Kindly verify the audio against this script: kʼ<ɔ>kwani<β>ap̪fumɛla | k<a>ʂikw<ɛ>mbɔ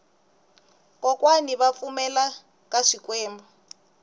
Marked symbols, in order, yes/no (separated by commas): yes, yes, yes, no